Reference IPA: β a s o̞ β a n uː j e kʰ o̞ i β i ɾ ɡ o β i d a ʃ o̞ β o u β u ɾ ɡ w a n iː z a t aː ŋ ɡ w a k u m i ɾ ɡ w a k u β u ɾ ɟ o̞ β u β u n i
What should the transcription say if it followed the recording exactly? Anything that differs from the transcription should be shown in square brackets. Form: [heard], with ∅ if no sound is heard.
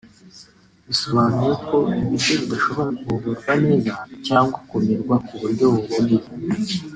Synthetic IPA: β [i] s o̞ β a n [u] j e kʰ o̞ i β i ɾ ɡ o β i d a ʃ o̞ β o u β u ɾ ɡ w a n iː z a [c] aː ŋ ɡ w a k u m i ɾ ɡ w a k u β u ɾ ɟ o̞ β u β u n i